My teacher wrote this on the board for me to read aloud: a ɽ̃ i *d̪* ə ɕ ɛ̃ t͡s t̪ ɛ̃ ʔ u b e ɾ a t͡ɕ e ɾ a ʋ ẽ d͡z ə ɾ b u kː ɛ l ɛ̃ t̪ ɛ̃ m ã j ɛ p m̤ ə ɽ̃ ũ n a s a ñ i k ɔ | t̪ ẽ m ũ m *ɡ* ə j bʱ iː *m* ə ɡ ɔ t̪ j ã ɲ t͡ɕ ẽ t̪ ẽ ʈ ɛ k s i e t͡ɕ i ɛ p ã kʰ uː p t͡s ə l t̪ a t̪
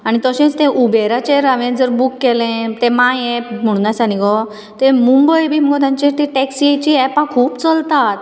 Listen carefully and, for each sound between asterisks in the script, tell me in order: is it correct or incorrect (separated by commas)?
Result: incorrect, incorrect, correct